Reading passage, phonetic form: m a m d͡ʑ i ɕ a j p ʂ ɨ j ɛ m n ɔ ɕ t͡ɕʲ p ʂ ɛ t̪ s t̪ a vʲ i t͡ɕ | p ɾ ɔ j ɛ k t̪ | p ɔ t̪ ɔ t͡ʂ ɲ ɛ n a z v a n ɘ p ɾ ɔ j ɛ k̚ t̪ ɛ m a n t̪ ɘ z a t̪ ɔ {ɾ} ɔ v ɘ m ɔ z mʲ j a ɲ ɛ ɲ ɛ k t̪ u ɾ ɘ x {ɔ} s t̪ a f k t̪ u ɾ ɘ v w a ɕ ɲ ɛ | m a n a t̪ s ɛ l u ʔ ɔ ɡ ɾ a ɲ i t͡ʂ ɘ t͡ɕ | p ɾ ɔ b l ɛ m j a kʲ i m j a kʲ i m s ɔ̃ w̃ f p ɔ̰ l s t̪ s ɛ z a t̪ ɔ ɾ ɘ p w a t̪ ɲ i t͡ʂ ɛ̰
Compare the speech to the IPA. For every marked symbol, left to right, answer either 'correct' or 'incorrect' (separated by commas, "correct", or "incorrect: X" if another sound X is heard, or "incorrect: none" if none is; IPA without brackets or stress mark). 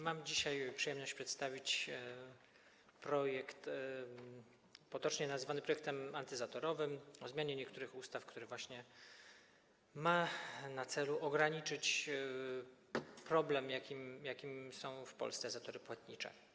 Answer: correct, incorrect: u